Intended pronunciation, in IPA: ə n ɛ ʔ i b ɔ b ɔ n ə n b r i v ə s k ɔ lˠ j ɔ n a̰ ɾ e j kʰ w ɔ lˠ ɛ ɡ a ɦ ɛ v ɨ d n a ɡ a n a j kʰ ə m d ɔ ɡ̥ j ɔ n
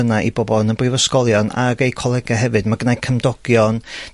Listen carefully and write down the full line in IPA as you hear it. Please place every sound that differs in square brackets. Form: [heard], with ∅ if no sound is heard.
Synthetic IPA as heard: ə n [a] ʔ i b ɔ b ɔ n ə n b r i v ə s k ɔ lˠ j ɔ n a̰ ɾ e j kʰ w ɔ lˠ ɛ ɡ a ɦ ɛ v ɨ d [m] a ɡ [ə] n a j kʰ ə m d ɔ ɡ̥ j ɔ n